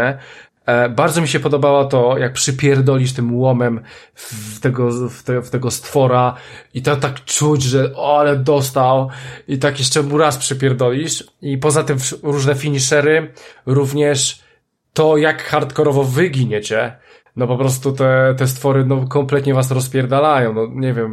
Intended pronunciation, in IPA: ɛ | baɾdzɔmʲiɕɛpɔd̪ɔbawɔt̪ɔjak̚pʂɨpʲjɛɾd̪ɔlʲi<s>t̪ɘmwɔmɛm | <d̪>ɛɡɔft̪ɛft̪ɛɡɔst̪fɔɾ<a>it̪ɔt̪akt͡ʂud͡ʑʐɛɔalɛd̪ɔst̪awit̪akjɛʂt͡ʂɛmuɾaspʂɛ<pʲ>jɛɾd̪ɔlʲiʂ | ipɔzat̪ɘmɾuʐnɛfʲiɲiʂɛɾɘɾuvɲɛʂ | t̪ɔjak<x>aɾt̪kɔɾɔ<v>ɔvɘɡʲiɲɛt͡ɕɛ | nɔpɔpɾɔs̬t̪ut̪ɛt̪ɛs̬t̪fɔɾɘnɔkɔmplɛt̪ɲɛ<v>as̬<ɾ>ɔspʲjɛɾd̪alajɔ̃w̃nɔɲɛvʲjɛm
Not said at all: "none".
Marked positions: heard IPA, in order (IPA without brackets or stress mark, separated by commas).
ʂ, t̪, a, pʲ, x, v, v, ɾ